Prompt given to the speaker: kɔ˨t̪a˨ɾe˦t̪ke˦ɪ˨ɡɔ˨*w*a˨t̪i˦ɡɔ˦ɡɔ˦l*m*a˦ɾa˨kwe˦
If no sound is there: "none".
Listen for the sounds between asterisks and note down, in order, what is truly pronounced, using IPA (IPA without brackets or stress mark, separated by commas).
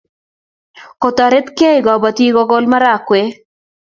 b, m